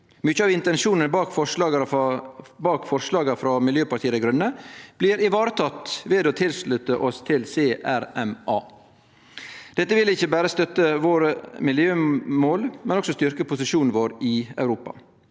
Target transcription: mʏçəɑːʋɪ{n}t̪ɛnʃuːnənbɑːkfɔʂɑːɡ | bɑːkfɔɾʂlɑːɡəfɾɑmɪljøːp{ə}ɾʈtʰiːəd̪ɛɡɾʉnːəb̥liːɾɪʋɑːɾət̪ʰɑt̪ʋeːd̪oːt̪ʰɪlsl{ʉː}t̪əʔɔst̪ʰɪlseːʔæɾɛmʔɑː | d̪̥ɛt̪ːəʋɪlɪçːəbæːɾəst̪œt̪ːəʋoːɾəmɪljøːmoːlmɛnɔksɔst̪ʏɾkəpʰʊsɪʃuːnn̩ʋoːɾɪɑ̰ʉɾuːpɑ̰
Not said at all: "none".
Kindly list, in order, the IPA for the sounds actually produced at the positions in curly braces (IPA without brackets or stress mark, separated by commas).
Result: n, ɑ, ʉ